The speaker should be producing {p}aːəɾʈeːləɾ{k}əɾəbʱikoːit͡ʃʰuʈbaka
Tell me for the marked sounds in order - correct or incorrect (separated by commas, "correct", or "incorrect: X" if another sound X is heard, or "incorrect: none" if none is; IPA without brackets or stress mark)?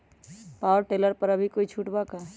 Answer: correct, incorrect: p